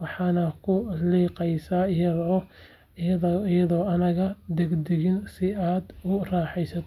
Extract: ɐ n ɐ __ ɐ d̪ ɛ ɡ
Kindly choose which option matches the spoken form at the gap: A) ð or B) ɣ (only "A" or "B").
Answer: B